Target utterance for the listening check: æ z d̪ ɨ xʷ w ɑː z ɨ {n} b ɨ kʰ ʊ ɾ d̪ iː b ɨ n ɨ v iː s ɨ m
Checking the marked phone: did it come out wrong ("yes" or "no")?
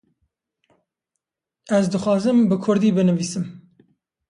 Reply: yes